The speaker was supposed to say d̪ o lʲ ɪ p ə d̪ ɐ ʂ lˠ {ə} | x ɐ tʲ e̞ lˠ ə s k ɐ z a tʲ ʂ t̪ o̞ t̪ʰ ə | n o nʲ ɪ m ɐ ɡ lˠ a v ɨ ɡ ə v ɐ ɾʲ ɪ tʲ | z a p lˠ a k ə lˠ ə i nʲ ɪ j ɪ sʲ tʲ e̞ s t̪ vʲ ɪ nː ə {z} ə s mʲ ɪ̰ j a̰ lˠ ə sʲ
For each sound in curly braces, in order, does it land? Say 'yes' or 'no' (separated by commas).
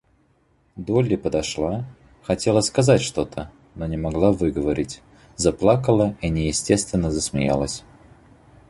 no, yes